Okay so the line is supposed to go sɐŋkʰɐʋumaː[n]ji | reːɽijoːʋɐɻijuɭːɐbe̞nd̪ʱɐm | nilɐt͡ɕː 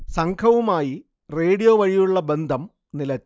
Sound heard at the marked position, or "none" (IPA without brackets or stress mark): none